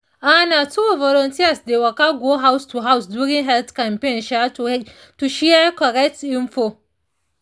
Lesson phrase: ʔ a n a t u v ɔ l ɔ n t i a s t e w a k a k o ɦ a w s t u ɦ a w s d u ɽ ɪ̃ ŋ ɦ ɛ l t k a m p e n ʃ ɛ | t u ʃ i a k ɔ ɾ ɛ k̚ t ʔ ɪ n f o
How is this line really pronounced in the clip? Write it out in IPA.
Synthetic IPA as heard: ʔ a n a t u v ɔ l ɔ n t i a s d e w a k a ɡ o ɦ a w s t u ɦ a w s d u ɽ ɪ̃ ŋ ɦ ɛ l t k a m p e n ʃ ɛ | t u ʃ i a k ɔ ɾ ɛ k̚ t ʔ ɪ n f o